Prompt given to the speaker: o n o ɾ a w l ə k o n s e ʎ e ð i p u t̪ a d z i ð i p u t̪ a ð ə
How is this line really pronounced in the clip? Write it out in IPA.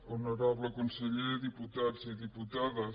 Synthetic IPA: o n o ɾ a β l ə k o n s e ʎ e ð i p u t̪ a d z i ð i p u t̪ a ð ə

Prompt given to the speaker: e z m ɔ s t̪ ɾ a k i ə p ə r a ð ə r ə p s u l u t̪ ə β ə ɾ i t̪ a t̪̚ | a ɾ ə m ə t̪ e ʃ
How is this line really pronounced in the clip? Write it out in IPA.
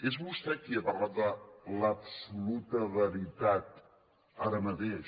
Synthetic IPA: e z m u s t̪ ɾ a k i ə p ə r a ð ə l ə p s u l u t̪ ə β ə ɾ i t̪ a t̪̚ | a ɾ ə m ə t̪ e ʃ

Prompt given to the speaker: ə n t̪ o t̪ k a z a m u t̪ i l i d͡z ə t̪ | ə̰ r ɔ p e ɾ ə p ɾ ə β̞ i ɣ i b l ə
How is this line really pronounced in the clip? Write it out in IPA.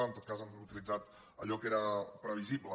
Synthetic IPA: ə n t̪ o t̪ k a z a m u t̪ i l i d͡z a t̪ | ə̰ ʎ ɔ k e ɾ ə p ɾ ə β̞ i z i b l ə

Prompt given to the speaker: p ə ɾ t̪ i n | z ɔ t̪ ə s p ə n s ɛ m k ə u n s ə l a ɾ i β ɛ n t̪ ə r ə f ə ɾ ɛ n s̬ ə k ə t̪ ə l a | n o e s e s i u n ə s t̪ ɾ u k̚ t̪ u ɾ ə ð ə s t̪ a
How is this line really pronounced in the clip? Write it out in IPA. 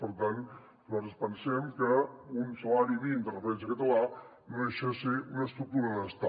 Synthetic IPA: p ə ɾ t̪ a n | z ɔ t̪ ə s p ə n s ɛ m k ə u n s ə l a ɾ i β i n d̪ ə r ə f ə ɾ ɛ n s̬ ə k ə t̪ ə l a | n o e ʃ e s i u n ə s t̪ ɾ u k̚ t̪ u ɾ ə ð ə s t̪ a

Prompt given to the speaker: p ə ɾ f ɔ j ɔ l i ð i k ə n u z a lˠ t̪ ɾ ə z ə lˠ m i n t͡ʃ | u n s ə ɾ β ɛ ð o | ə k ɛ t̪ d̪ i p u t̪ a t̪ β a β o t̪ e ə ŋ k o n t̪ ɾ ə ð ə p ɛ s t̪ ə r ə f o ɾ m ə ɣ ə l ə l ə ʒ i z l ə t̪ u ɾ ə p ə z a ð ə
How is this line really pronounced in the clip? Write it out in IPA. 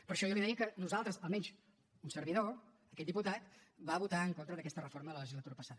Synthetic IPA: p ə ɾ ʃ ɔ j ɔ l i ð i k ə n u z a lˠ t̪ ɾ ə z ə lˠ m ɛ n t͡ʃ | u n s ə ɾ β i ð o | ə k ɛ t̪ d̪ i p u t̪ a t̪ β a β u t̪ a ə ŋ k o n t̪ ɾ ə ð ə k ɛ s t̪ ə r ə f o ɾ m ə ð ə l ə l ə ʒ i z l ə t̪ u ɾ ə p ə s a ð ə

